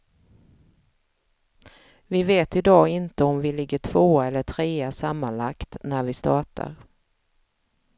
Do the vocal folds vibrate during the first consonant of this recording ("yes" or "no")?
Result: yes